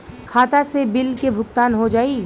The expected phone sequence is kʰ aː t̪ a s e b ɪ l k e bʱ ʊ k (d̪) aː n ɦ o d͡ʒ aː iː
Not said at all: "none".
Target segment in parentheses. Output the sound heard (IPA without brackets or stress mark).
t̪